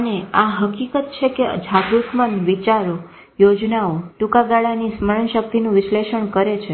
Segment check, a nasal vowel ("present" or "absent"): present